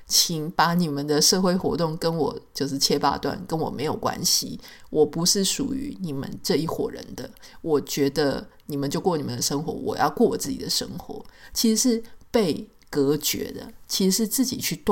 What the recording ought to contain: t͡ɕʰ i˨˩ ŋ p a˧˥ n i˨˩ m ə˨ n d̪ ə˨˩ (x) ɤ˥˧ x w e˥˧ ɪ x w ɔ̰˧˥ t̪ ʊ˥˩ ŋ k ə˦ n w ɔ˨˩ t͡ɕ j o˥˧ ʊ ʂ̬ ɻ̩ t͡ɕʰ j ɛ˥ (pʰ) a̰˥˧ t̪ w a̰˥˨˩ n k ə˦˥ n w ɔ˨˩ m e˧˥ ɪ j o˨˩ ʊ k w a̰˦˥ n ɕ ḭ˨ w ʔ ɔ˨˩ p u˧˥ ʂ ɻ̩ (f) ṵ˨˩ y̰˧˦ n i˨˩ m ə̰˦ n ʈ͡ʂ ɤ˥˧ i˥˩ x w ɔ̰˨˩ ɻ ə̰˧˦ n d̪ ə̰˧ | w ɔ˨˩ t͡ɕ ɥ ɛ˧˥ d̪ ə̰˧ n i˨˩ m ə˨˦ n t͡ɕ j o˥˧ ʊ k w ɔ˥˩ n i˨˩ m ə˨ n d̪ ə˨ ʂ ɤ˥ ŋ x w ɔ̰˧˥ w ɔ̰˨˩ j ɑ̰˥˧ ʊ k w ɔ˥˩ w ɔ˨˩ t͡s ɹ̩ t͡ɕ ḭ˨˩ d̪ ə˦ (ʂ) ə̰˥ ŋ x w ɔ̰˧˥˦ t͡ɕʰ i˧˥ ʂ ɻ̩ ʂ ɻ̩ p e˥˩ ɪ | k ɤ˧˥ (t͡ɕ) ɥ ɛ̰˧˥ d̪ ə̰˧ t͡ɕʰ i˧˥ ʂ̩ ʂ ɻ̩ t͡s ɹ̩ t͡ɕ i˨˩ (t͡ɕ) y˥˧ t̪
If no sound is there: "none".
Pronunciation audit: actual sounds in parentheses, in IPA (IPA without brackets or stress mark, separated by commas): ʂ, p, ʂ, ʂ, t͡ɕ, t͡ɕʰ